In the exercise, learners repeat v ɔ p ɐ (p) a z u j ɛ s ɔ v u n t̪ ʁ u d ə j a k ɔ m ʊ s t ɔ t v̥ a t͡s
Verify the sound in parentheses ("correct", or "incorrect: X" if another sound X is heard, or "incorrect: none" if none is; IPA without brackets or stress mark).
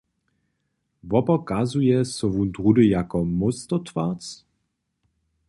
incorrect: k